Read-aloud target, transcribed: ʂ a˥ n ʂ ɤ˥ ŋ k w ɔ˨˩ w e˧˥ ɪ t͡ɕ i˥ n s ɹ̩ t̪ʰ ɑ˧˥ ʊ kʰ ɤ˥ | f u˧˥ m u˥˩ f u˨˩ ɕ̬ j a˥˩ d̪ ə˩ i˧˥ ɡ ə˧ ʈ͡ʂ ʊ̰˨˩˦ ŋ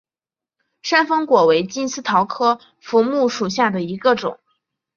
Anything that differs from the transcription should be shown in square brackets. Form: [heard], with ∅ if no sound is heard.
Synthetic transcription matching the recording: ʂ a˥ n [f] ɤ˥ ŋ k w ɔ˨˩ w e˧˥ ɪ t͡ɕ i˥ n s ɹ̩ t̪ʰ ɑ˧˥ ʊ kʰ ɤ˥ | f u˧˥ m u˥˩ [ʂ] u˨˩ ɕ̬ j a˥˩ d̪ ə˩ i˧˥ ɡ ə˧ ʈ͡ʂ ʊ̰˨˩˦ ŋ